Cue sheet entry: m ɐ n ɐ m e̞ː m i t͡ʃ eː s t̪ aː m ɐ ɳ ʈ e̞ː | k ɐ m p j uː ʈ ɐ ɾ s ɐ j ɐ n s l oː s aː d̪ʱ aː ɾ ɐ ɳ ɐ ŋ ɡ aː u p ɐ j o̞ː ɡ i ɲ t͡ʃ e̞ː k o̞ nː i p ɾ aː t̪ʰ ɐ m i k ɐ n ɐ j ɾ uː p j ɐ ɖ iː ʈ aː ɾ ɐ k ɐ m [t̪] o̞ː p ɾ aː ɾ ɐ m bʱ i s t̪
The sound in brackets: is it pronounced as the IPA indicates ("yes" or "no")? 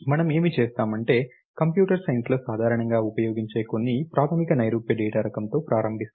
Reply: yes